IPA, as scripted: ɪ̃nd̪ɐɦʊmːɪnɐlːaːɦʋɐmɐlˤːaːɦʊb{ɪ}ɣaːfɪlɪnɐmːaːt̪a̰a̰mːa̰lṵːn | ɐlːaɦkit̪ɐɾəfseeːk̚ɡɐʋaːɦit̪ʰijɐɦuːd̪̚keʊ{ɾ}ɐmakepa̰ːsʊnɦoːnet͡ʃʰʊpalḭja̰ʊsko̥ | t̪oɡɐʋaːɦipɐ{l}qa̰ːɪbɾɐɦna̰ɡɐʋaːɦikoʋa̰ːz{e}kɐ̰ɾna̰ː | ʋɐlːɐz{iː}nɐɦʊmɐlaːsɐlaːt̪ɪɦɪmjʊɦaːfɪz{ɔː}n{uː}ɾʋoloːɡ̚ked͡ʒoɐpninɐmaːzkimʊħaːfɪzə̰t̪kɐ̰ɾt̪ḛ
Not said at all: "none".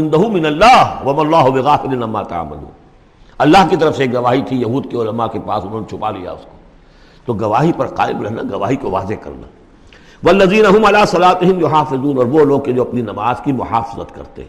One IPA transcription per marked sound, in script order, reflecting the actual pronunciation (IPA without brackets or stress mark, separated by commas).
ɪ, l, ɾ, e, iː, uː, ɔː